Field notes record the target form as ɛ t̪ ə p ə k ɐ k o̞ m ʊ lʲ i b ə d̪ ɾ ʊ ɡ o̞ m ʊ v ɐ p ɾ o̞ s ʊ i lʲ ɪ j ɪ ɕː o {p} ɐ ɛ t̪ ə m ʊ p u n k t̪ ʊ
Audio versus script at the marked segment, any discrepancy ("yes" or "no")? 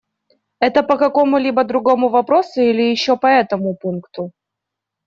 no